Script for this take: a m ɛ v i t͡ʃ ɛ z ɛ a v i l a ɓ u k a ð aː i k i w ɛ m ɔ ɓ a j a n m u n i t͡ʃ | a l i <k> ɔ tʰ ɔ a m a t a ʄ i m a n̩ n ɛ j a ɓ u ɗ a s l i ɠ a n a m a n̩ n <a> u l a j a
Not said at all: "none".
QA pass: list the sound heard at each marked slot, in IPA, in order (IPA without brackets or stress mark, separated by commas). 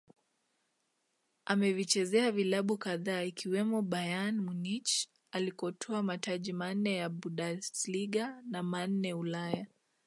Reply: k, ɛ